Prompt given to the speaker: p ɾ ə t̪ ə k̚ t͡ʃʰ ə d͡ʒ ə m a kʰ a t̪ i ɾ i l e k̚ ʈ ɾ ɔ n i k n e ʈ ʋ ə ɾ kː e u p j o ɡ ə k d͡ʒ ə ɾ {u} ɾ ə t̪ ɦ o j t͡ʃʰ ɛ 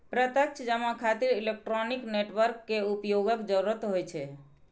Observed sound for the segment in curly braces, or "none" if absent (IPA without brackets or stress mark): u